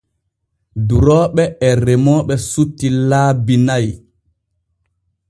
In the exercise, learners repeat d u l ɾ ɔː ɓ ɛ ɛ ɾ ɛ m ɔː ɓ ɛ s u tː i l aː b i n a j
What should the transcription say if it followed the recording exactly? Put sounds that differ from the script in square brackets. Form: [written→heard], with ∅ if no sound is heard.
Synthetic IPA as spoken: d u [l→∅] ɾ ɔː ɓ ɛ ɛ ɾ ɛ m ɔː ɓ ɛ s u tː i l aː b i n a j

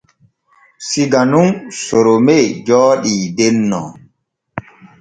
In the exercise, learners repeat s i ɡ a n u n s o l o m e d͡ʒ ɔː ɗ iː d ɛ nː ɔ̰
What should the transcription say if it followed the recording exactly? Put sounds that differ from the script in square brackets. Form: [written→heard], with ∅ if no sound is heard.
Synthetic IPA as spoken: s i ɡ a n u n s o [l→ɾ] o m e d͡ʒ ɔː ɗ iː d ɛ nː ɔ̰

